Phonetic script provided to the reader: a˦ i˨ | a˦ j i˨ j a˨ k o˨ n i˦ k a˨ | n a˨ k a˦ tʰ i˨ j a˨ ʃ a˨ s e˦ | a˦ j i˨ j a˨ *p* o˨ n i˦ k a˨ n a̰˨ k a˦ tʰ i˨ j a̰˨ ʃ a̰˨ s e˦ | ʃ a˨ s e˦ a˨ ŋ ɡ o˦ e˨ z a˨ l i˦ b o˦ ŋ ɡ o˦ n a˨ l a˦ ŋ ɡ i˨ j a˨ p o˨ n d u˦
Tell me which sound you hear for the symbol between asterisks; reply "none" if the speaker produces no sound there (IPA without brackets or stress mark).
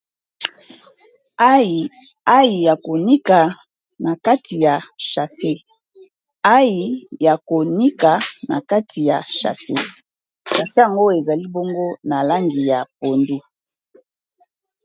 k